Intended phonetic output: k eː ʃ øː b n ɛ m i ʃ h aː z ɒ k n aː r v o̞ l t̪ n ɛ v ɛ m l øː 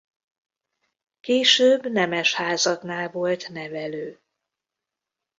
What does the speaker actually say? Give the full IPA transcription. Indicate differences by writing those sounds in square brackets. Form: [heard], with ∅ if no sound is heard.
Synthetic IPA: k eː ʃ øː b n ɛ m [ɛ] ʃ h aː z ɒ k n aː [l] v o̞ l t̪ n ɛ v ɛ [∅] l øː